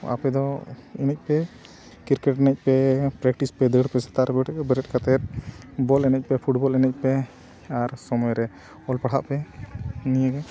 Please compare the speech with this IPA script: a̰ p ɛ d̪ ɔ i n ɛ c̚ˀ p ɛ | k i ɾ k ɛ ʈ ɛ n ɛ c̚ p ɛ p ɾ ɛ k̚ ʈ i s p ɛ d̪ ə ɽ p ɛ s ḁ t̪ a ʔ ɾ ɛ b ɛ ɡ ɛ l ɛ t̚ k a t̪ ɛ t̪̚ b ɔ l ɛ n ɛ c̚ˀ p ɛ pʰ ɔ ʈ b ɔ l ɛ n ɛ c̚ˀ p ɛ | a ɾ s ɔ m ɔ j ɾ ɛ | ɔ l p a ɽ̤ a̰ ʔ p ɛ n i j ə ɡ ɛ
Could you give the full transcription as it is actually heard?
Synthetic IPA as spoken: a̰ p ɛ d̪ ɔ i n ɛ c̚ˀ p ɛ | k i ɾ k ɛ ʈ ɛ n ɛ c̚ p ɛ p ɾ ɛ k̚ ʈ i s p ɛ d̪ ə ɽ p ɛ s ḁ t̪ a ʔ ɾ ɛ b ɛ b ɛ ɾ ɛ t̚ k a t̪ ɛ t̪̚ b ɔ l ɛ n ɛ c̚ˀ p ɛ pʰ u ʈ b ɔ l ɛ n ɛ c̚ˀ p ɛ | a ɾ s ɔ m ɔ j ɾ ɛ | ɔ l p a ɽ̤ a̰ ʔ p ɛ n i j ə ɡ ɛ